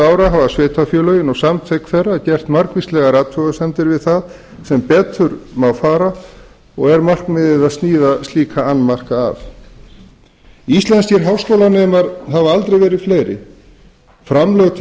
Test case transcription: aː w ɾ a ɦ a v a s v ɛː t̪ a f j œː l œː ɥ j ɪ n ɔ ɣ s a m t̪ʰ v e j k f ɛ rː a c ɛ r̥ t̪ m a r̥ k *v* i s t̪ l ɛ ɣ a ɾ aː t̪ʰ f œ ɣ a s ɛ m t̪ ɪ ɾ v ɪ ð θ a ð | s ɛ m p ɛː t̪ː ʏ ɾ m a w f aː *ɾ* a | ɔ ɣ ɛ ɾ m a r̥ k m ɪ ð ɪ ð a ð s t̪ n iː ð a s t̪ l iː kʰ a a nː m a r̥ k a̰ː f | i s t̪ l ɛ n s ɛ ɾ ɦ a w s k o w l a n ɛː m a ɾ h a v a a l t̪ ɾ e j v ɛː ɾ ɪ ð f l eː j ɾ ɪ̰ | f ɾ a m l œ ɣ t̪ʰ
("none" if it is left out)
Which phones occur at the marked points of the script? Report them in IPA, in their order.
v, ɾ

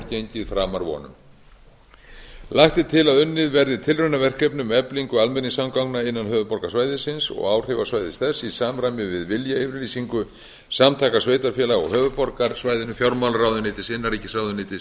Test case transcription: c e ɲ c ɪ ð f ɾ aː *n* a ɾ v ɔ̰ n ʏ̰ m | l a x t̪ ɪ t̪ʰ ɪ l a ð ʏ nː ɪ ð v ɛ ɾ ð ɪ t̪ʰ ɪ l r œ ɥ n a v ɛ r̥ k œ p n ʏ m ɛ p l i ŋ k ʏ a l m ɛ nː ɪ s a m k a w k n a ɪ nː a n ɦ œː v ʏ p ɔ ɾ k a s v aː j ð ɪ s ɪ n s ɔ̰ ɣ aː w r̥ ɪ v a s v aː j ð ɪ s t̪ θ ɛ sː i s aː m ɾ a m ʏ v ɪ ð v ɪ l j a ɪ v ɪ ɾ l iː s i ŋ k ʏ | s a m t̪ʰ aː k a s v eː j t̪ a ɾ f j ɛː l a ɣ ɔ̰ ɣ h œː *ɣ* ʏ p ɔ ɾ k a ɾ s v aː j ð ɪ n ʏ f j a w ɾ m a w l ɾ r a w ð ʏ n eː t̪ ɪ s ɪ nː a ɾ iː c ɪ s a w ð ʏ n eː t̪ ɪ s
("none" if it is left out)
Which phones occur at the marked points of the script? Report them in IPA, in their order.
m, v

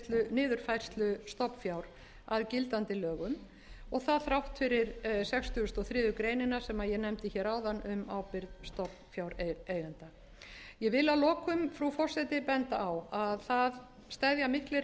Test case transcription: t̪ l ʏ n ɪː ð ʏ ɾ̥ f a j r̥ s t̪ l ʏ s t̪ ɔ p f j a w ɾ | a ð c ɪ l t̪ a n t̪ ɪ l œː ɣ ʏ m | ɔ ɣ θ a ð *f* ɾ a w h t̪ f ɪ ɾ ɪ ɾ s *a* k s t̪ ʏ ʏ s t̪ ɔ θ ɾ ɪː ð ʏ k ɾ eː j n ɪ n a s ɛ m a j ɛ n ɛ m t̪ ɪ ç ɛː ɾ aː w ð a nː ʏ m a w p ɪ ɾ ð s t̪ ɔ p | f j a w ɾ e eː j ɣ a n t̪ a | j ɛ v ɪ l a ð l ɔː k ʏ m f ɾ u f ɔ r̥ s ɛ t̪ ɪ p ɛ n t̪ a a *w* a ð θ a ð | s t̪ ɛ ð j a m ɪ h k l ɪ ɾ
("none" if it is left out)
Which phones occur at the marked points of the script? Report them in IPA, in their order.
θ, ɛ, w

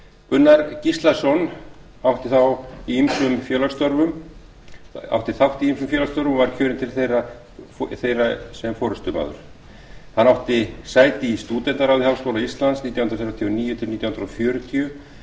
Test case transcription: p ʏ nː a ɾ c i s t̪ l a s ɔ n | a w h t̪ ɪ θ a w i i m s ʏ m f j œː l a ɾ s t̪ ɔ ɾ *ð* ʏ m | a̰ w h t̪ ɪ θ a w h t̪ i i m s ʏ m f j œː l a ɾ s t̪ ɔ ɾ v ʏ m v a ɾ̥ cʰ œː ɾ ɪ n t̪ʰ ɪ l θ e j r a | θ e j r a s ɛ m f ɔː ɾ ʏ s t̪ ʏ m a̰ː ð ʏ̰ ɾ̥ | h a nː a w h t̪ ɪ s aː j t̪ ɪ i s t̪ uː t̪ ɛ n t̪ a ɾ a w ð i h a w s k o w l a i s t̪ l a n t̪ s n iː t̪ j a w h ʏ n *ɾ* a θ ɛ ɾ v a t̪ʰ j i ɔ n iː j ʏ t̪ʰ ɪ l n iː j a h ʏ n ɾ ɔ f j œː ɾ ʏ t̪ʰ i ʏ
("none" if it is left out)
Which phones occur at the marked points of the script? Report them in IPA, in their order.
v, ɾ

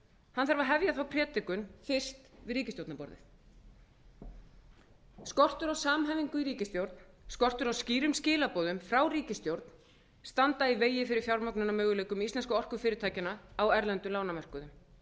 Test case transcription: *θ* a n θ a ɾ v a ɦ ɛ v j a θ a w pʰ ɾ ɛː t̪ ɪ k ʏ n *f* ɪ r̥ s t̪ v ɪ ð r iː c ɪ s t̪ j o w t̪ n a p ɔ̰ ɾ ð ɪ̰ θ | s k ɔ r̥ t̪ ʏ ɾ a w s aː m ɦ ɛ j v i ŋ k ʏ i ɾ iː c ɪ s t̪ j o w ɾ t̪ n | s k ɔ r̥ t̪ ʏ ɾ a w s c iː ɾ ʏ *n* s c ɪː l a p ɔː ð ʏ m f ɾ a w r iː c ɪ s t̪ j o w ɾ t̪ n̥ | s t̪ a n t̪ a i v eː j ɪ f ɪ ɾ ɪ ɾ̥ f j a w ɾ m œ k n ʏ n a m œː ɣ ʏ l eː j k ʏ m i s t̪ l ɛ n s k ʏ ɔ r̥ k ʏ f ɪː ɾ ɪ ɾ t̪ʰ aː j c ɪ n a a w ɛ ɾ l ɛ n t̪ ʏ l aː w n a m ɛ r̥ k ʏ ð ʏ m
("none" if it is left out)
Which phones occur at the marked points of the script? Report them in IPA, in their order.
h, f, m

